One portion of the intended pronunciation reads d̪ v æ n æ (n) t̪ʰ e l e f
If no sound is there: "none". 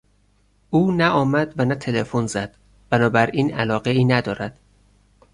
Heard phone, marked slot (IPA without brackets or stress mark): none